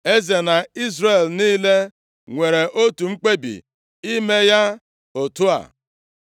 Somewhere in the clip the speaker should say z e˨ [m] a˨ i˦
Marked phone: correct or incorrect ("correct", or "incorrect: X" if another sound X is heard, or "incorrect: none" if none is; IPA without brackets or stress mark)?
incorrect: n